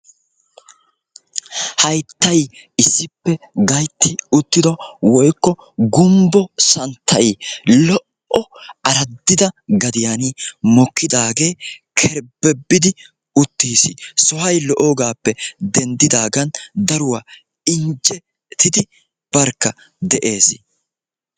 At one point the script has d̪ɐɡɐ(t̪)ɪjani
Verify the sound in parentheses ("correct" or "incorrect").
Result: incorrect